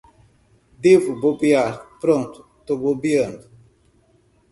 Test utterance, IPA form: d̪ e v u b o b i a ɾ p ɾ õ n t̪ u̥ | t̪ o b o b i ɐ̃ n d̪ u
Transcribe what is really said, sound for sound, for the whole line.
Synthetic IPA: d̪ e v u b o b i a ɾ p ɾ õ n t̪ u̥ | t̪ o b o b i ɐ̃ n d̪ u